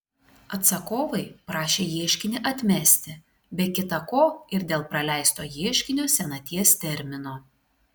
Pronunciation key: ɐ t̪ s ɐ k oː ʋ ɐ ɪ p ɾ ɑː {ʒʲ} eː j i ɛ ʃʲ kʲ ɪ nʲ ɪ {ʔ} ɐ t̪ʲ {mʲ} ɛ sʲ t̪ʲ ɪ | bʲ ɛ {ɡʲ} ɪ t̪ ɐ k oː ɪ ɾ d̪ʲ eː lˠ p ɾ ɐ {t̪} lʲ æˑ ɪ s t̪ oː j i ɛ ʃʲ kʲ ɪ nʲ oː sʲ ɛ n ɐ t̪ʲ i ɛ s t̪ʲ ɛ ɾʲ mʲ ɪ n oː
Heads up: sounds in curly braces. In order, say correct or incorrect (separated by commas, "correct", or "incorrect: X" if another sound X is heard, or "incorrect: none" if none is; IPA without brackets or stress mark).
incorrect: ʃʲ, correct, correct, incorrect: kʲ, incorrect: none